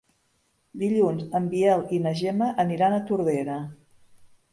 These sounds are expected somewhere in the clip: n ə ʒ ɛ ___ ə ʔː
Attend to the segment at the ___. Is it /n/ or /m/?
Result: m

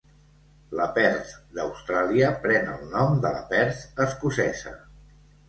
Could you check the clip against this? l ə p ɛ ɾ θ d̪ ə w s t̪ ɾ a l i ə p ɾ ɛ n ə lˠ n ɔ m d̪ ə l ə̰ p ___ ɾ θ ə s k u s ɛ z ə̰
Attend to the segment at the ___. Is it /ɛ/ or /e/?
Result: ɛ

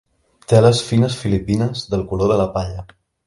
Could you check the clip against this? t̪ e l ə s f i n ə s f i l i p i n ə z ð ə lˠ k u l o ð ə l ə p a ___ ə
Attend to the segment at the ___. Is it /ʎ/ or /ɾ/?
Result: ʎ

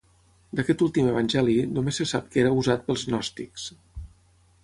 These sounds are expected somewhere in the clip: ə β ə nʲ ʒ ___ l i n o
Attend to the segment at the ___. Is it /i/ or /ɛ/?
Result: ɛ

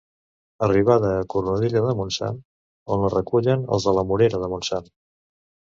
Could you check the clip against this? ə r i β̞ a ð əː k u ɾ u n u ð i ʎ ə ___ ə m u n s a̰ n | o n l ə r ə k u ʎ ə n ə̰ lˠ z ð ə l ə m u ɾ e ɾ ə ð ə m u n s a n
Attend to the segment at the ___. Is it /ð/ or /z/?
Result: ð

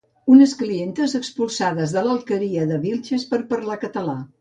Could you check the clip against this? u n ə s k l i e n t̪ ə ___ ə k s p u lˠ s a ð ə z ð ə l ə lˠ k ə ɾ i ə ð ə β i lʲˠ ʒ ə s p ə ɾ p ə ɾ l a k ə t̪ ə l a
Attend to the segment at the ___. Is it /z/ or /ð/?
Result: z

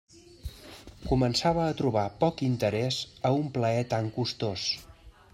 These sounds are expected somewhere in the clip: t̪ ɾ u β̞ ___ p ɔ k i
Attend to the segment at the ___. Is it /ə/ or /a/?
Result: a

